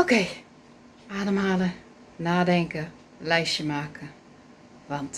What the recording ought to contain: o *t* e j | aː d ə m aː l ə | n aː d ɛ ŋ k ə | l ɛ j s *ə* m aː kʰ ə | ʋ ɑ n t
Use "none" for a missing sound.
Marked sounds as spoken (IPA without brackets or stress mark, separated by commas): k, ə